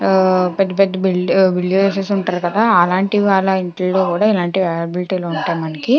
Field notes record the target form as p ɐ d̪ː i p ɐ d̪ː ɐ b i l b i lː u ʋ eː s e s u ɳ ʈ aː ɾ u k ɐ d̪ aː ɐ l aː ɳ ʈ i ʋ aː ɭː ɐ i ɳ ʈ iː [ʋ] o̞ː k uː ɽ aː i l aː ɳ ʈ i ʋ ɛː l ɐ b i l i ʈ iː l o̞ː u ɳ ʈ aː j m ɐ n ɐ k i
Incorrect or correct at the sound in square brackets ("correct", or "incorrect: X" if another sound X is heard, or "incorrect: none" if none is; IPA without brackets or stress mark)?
incorrect: none